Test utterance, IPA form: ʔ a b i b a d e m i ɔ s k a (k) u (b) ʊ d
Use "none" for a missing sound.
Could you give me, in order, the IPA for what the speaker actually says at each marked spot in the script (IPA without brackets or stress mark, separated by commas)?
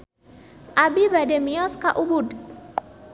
ʔ, b